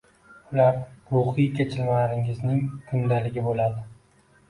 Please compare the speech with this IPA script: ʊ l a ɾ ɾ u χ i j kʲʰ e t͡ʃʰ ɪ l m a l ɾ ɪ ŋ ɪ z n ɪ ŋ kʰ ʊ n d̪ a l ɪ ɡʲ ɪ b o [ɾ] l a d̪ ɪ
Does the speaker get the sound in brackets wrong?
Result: yes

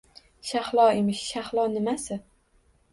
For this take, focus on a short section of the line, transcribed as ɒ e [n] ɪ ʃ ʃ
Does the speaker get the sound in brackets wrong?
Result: yes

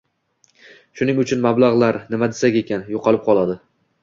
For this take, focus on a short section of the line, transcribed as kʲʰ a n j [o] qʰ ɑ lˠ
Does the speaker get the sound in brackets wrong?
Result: no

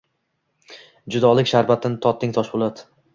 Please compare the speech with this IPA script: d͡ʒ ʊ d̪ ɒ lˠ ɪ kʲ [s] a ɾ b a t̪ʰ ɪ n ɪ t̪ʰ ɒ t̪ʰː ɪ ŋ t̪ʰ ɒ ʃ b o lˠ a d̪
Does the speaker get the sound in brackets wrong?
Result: yes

